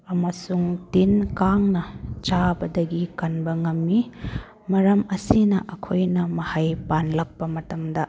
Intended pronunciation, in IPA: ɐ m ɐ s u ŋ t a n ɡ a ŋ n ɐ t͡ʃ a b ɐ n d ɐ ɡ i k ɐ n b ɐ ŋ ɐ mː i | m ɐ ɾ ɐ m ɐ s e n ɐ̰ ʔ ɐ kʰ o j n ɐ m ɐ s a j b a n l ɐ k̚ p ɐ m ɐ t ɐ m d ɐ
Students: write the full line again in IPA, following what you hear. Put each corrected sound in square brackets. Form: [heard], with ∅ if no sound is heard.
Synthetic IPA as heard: ɐ m ɐ s u ŋ t [i] n [k] a ŋ n ɐ t͡ʃ a b ɐ [∅] d ɐ ɡ i k ɐ n b ɐ ŋ ɐ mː i | m ɐ ɾ ɐ m ɐ s [i] n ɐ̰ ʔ ɐ kʰ o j n ɐ m ɐ [h] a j [p] a n l ɐ k̚ p ɐ m ɐ t ɐ m d ɐ